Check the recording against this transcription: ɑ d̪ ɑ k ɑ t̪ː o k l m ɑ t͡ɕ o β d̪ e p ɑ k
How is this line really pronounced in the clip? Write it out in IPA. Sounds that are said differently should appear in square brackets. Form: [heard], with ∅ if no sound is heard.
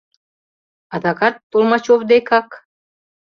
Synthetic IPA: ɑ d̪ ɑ k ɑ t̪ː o [∅] l m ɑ t͡ɕ o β d̪ e [k] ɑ k

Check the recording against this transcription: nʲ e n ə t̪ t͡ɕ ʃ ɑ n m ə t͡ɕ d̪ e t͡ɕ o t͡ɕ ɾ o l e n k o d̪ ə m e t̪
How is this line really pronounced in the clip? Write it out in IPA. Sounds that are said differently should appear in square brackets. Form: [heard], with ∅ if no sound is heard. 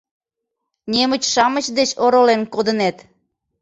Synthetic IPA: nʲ e [m] ə [∅] t͡ɕ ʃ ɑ [∅] m ə t͡ɕ d̪ e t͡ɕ o [∅] ɾ o l e n k o d̪ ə [n] e t̪

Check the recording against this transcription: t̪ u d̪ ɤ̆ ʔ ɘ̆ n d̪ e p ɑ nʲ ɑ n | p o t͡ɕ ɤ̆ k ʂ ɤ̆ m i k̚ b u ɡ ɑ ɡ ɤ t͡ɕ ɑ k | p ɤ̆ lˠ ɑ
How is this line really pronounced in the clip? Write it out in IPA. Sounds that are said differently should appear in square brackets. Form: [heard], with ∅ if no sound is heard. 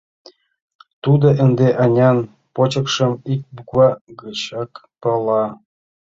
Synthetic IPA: t̪ u d̪ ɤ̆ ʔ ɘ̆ n d̪ e [ʔ] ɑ nʲ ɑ n | p o t͡ɕ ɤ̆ k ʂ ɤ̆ m i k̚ b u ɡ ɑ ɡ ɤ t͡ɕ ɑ k | p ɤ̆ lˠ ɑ

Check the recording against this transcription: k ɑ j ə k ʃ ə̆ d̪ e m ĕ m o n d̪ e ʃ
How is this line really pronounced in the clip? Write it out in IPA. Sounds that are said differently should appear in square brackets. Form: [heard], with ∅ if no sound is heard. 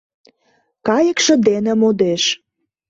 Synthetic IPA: k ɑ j ə k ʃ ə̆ d̪ e [n] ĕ m o [∅] d̪ e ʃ

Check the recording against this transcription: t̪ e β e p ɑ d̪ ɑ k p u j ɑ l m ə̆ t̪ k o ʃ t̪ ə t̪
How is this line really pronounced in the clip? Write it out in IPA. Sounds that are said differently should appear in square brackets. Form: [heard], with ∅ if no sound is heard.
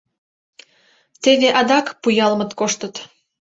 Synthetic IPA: t̪ e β e [ʔ] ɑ d̪ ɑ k p u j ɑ l m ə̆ t̪ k o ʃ t̪ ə t̪

